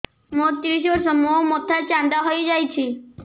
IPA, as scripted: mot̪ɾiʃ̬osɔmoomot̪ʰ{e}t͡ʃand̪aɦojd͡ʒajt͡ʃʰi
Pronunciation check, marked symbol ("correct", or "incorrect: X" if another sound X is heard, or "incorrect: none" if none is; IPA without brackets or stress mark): incorrect: a